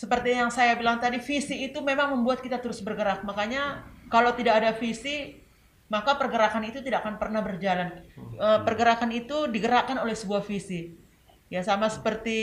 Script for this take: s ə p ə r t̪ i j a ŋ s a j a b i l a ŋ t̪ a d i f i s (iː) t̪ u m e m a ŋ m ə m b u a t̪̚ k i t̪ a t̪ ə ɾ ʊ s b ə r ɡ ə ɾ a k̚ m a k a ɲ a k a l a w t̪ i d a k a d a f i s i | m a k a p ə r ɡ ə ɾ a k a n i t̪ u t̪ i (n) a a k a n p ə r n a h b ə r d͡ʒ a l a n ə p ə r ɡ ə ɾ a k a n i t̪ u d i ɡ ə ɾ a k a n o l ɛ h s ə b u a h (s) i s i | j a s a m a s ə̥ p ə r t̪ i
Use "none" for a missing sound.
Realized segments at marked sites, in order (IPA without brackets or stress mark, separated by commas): iː, d, f